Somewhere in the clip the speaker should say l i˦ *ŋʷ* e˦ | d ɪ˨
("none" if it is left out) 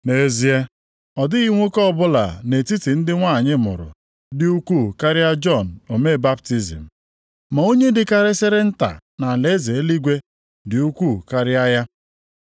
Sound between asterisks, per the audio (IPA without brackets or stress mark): ɡʷ